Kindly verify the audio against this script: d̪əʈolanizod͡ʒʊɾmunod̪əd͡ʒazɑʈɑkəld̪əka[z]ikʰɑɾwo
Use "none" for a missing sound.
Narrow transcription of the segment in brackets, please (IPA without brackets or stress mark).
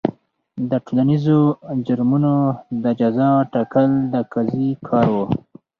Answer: z